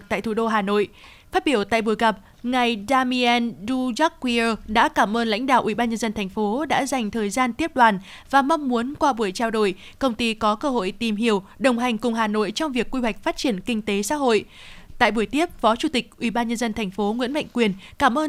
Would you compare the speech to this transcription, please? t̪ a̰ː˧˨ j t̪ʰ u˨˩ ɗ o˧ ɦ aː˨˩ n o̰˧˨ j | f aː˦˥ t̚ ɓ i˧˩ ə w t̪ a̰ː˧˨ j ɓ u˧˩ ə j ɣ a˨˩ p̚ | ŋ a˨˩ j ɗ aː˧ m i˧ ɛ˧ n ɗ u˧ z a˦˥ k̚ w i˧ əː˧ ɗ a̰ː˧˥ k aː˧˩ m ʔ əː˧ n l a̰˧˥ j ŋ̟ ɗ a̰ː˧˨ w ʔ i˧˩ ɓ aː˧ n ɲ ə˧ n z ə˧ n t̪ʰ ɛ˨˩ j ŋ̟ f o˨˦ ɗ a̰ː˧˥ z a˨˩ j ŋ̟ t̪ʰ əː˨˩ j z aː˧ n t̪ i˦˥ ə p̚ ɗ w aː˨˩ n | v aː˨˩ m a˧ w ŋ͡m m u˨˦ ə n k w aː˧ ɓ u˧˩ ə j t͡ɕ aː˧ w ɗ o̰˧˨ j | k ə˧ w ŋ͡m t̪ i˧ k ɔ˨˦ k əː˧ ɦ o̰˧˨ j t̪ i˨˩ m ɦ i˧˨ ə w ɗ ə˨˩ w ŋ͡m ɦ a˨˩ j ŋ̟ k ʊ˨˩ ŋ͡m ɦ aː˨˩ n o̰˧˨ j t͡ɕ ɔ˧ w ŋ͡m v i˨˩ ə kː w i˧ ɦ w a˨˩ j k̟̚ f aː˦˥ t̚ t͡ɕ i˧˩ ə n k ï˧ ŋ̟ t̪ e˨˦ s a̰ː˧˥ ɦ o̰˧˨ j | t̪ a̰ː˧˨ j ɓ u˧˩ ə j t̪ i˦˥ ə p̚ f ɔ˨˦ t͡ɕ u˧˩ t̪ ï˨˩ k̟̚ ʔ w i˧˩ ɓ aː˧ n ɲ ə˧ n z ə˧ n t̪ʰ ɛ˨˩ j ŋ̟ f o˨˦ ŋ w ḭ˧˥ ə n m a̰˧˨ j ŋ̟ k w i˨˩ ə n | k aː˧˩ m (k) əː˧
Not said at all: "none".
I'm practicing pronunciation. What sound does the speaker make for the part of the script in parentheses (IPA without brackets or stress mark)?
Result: ʔ